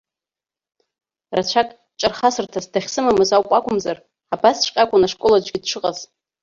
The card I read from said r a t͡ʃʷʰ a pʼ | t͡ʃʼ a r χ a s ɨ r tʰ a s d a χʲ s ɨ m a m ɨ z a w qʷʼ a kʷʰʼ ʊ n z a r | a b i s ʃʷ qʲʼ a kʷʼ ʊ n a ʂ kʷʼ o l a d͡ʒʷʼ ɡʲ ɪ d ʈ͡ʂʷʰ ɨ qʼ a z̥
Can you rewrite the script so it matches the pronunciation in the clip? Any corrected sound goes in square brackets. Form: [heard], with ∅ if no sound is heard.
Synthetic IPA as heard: r a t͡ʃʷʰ a [kʼ] | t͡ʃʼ a r χ a s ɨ r tʰ a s d a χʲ s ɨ m a m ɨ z a w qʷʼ a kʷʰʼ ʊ [m] z a r | a b [a] s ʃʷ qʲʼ a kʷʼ ʊ n a ʂ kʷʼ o l a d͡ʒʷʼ ɡʲ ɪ d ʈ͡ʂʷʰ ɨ qʼ a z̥